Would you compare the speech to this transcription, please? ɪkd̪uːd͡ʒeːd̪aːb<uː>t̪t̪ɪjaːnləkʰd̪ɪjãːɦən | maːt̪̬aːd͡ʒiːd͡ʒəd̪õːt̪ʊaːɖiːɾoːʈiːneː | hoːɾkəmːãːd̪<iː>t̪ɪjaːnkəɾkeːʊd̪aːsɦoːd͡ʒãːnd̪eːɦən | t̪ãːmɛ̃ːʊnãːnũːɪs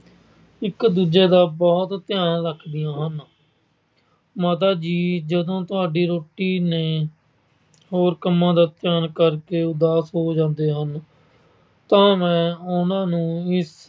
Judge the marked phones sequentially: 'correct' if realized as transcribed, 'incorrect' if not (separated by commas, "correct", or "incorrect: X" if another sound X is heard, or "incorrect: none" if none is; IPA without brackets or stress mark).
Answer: incorrect: ɔː, incorrect: aː